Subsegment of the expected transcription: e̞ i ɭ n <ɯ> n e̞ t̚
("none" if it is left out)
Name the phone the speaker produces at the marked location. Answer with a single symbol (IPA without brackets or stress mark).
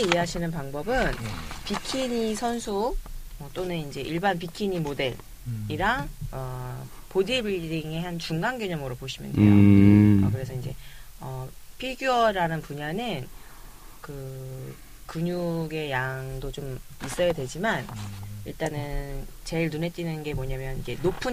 u